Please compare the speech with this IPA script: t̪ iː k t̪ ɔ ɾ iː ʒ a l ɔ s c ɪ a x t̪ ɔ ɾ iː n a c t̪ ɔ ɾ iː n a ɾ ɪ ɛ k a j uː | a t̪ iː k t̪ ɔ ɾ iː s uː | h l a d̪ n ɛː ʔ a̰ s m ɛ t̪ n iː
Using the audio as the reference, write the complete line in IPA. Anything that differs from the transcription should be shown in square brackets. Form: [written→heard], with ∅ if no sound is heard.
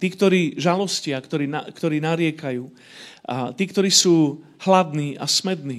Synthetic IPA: t̪ iː k t̪ ɔ ɾ iː ʒ a l ɔ s c ɪ a [x→k] t̪ ɔ ɾ iː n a [c→k] t̪ ɔ ɾ iː n a ɾ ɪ ɛ k a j uː | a t̪ iː k t̪ ɔ ɾ iː s uː | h l a d̪ n [ɛː→iː] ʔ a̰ s m ɛ [t̪→d̪] n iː